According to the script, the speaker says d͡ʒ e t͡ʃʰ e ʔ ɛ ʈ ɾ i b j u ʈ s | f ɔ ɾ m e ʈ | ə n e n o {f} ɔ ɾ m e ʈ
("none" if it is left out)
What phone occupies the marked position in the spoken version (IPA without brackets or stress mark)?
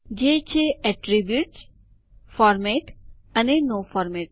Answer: f